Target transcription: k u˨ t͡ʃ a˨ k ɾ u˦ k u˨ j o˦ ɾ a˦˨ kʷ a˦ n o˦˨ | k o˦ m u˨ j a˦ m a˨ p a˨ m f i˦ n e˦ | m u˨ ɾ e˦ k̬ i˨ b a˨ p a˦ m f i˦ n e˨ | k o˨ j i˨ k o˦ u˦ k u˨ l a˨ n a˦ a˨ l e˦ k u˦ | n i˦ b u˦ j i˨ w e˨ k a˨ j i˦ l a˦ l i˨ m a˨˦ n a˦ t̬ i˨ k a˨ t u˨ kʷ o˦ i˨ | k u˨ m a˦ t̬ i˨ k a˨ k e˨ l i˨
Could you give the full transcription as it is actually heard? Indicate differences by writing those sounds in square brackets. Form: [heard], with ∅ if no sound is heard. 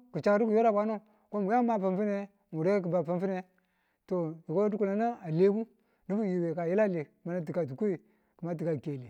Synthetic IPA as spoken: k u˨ t͡ʃ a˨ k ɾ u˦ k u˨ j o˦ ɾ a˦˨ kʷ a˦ n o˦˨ | k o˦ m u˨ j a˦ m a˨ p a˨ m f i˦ n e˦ | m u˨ ɾ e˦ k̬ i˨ b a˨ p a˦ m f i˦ n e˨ | [t] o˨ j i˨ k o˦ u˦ k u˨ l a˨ n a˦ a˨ l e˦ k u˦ | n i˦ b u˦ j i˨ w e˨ k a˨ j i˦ l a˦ l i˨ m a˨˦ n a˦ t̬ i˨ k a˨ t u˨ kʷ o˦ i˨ | k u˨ m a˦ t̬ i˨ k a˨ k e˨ l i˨